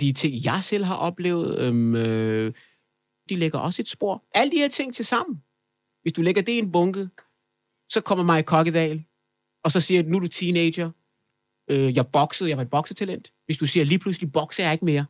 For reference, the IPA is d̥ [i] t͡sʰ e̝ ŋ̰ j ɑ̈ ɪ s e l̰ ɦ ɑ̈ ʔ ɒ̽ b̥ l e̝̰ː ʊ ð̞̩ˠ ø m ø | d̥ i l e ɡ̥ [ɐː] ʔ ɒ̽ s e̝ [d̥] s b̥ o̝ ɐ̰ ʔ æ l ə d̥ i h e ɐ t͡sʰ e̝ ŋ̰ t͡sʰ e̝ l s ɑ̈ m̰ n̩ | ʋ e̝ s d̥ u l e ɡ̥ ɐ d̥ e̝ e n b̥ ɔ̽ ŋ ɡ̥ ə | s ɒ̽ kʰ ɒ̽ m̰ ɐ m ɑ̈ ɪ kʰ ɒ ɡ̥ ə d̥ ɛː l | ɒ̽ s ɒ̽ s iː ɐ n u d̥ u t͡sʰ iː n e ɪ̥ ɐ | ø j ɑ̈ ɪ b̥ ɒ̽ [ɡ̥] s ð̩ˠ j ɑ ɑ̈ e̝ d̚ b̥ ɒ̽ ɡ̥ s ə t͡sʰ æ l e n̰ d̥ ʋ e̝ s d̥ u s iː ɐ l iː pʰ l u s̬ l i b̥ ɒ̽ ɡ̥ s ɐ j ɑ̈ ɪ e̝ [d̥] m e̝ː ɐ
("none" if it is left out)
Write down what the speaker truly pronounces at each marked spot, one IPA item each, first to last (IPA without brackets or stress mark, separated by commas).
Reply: i, ɐ, d̥, ɡ̥, ɡ̥